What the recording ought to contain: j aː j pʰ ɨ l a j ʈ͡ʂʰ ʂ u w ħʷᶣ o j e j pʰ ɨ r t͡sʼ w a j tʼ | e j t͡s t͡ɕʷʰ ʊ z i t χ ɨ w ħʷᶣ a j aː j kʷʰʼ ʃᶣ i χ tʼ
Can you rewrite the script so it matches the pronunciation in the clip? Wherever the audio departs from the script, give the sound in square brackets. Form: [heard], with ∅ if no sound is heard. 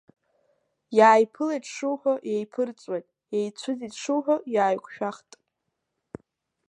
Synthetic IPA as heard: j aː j pʰ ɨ l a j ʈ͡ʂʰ ʂ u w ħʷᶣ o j e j pʰ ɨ r t͡sʼ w a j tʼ | e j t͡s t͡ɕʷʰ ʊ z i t [ʂ] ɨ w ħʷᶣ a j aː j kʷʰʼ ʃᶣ [a] χ tʼ